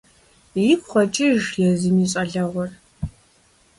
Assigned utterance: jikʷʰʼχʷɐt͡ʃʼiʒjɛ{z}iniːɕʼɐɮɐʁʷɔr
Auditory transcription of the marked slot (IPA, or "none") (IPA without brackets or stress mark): z